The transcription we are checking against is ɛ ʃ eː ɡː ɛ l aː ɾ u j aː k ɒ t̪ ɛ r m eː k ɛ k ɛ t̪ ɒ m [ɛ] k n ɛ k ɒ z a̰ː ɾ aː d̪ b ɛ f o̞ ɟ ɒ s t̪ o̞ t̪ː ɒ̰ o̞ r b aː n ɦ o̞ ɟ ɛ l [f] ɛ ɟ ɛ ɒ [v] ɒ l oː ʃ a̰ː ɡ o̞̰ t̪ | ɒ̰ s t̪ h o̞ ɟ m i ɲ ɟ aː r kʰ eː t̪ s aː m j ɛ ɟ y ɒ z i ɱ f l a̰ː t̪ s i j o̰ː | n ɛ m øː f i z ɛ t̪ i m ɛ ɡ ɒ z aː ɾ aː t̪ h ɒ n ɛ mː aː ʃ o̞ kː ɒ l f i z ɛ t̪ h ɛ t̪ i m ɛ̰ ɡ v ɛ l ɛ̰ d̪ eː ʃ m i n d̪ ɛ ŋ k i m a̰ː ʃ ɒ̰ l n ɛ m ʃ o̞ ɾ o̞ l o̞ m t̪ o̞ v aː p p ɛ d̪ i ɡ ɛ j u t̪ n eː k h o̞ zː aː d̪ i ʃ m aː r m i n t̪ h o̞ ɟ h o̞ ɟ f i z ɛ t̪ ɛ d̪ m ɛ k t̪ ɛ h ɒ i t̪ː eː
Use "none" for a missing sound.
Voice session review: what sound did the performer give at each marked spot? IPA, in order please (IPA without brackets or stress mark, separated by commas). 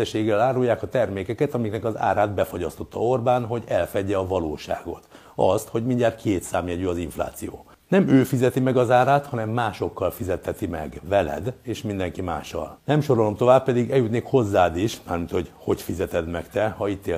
i, f, v